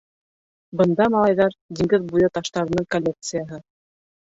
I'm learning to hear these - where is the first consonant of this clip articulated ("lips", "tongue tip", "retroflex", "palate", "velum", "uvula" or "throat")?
lips